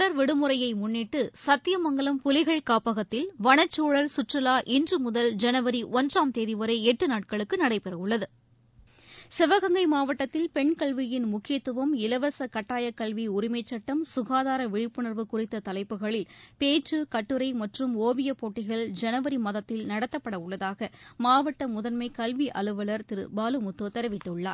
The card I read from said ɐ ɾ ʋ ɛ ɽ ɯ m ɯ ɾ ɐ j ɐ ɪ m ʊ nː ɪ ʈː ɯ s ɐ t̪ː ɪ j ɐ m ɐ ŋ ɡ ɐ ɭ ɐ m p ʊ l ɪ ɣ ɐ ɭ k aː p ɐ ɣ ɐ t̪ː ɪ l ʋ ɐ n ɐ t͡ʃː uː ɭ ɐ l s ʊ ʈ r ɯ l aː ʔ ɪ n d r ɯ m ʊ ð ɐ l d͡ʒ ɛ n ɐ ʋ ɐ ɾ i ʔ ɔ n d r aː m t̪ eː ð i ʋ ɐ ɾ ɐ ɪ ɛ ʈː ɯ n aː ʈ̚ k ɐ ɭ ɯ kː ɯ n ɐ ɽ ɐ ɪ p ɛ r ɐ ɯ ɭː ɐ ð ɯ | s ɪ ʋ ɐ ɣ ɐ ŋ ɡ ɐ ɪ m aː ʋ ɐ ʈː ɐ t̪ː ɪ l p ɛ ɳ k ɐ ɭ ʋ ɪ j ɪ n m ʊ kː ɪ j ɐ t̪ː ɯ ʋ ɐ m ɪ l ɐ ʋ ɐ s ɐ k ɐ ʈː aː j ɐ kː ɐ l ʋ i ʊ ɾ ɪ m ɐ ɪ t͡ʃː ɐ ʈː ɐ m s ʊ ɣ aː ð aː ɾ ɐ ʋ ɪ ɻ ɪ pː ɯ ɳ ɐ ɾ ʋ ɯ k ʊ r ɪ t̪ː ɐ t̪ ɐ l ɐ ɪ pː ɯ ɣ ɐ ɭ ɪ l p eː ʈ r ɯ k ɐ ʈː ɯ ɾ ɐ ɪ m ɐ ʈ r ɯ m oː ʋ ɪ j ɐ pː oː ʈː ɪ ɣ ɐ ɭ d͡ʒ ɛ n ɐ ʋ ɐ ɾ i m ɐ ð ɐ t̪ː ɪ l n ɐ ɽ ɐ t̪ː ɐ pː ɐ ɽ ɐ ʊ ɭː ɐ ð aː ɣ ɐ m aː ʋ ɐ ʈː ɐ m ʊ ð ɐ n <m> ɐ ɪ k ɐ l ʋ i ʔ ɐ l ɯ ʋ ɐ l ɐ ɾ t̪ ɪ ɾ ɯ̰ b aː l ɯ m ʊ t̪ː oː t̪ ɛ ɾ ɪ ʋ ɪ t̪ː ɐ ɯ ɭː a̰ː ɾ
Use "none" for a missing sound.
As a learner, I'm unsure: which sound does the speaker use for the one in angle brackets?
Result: m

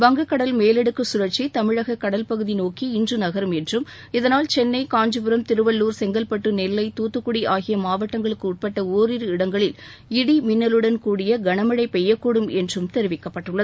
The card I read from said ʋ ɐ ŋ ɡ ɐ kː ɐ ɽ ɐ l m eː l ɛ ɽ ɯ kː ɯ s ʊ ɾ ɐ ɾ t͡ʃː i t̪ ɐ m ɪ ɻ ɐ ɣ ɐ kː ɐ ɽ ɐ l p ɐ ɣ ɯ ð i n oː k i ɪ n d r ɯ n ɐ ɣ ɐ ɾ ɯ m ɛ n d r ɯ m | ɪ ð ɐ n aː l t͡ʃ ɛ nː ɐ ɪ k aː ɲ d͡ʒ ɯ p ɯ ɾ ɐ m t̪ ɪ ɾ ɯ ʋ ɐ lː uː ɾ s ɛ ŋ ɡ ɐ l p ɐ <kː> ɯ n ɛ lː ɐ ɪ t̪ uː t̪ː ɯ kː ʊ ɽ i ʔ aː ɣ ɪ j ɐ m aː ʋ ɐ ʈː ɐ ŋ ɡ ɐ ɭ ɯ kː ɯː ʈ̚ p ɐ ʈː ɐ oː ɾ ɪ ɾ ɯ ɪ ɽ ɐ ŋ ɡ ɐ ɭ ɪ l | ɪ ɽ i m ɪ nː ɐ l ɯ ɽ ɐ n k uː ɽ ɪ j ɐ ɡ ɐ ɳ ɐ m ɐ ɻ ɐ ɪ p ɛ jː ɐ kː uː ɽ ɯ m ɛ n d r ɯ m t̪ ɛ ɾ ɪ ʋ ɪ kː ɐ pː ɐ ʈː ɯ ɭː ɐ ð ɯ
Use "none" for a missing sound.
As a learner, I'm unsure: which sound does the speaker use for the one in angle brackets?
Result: ʈː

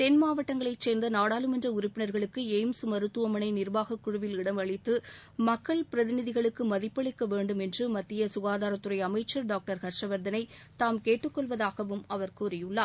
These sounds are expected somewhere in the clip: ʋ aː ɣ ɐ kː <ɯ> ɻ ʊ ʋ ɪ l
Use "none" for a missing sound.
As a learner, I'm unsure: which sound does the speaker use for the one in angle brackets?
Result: ʊ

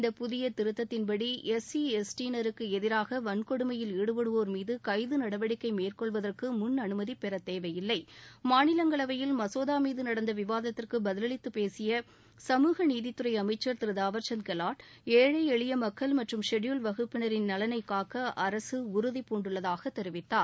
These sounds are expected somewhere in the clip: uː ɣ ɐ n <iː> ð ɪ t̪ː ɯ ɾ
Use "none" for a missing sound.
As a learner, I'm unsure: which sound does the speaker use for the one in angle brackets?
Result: iː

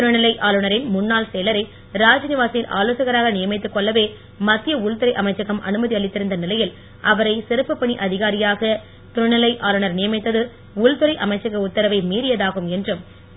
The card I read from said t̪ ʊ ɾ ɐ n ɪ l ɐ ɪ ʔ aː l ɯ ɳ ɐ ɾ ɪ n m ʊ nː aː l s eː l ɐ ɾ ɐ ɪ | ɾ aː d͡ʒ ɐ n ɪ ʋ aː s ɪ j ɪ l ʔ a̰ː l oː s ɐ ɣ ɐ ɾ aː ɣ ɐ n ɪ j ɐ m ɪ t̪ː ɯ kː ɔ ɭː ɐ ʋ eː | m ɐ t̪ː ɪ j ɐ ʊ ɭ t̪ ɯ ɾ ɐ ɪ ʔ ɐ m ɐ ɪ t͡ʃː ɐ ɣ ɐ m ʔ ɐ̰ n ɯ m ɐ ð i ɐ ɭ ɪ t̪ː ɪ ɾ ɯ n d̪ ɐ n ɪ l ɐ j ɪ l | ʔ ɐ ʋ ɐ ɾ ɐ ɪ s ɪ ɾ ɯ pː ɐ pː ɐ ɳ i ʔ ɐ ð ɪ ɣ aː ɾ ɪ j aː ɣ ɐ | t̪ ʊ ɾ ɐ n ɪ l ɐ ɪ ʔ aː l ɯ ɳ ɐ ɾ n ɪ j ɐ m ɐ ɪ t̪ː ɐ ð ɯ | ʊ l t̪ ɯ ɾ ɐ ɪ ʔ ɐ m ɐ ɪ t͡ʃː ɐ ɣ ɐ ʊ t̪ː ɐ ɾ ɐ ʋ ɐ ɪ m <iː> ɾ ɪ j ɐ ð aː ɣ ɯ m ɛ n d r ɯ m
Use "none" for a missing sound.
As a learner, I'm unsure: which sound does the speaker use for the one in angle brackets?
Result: iː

